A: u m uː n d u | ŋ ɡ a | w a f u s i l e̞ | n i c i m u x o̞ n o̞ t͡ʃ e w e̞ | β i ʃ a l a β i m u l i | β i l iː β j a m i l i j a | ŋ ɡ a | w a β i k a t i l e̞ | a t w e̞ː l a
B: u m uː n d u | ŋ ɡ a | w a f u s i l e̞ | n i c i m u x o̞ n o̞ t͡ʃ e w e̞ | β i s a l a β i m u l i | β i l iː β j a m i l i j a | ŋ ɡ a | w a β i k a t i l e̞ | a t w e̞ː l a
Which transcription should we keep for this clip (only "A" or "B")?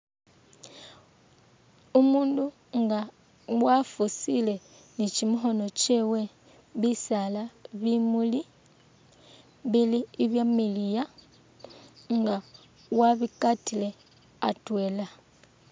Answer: B